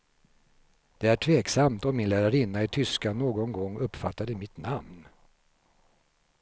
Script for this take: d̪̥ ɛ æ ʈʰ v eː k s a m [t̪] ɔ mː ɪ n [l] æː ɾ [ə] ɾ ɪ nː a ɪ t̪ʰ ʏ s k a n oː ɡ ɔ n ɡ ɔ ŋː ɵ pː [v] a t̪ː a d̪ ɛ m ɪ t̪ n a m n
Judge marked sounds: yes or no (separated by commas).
yes, yes, no, no